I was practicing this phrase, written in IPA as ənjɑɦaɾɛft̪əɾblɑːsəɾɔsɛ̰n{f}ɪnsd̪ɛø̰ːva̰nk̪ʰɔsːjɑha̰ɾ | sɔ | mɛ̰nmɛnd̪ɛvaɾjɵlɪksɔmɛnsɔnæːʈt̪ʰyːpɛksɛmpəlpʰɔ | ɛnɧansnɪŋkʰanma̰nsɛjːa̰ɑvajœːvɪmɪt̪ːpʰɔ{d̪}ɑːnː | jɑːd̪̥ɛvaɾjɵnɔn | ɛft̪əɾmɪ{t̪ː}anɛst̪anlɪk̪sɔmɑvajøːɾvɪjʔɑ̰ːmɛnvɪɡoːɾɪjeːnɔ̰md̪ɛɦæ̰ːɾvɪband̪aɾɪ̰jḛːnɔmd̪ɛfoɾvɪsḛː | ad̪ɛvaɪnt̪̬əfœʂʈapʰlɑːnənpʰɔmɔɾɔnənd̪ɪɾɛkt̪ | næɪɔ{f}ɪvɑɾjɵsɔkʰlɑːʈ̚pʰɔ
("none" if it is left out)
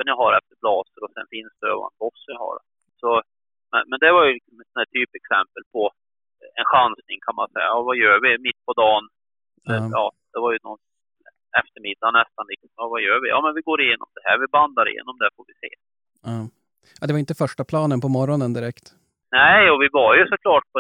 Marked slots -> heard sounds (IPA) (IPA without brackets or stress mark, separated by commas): f, d̪, d̪ː, v